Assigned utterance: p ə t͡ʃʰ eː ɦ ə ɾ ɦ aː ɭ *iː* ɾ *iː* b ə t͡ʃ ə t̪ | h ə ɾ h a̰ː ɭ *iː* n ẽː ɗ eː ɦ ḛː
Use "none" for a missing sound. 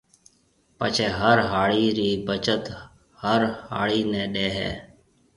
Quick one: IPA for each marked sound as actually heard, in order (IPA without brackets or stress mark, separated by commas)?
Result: iː, iː, iː